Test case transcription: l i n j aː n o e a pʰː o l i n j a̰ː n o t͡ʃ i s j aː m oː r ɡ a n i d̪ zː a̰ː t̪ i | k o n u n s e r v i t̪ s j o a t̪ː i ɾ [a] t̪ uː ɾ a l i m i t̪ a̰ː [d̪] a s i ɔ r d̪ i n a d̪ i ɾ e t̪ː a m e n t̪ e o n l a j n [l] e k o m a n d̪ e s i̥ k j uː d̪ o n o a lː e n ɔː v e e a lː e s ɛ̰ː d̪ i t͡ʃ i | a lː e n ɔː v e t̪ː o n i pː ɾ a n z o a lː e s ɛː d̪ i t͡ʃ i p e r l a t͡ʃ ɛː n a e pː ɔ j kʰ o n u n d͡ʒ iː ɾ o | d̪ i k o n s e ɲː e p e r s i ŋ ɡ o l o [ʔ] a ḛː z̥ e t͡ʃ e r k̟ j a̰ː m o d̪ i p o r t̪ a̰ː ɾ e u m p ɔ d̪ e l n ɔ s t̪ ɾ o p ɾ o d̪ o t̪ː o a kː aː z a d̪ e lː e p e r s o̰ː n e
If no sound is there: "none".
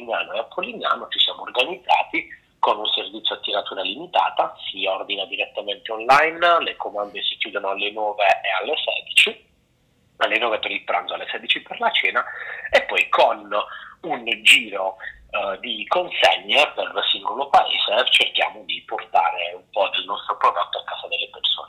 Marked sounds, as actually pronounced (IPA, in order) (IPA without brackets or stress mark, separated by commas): a, t̪, l, p